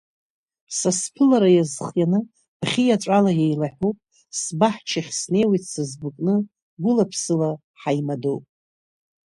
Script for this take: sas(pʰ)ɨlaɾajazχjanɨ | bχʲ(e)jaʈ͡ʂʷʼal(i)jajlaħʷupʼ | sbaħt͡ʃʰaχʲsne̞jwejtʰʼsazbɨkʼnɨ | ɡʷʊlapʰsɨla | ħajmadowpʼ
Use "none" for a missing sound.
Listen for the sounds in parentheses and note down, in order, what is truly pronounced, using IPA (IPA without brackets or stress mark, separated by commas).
pʰ, i, a